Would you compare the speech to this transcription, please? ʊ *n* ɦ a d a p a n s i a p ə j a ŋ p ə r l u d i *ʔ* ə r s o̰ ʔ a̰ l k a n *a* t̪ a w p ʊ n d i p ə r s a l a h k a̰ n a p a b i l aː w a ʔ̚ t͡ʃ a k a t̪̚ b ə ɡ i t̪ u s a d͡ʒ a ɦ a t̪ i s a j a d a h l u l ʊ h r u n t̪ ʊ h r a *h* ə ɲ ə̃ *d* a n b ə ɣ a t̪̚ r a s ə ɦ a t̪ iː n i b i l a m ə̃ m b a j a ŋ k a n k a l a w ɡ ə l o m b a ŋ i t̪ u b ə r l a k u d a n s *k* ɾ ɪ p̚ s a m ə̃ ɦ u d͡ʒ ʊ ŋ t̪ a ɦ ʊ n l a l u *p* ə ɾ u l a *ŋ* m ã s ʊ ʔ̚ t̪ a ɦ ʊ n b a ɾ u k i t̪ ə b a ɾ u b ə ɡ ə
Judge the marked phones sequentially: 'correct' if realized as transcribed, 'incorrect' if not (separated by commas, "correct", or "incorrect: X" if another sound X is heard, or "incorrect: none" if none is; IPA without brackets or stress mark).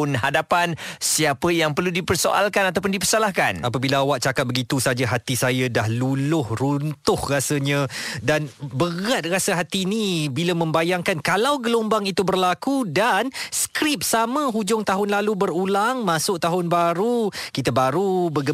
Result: correct, incorrect: p, correct, incorrect: s, correct, correct, incorrect: b, correct